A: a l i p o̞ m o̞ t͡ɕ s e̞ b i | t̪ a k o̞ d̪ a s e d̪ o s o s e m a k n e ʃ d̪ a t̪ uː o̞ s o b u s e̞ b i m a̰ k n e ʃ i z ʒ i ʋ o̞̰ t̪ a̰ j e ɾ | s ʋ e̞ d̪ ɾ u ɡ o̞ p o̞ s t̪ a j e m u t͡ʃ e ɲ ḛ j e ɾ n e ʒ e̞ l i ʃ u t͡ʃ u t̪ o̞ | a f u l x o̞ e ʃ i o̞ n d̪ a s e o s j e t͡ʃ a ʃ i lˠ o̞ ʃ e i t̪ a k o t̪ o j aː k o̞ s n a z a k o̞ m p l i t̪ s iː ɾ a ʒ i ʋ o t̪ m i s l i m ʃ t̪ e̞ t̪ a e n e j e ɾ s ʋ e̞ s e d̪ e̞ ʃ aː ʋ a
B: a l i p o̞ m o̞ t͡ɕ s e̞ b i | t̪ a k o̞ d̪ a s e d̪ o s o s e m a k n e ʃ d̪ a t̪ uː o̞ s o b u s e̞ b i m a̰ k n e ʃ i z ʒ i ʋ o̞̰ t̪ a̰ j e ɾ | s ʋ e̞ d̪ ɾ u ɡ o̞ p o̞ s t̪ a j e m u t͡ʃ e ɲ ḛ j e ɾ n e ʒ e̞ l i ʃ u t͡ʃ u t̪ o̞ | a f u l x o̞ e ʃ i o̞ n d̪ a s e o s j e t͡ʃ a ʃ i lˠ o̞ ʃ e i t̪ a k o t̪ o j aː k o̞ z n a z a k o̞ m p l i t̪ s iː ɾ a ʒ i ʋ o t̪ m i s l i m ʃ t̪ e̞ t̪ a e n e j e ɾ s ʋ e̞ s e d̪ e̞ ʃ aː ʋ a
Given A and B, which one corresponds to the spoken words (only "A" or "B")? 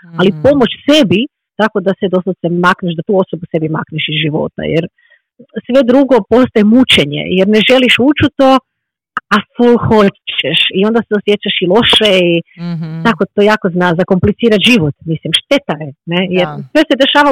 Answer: B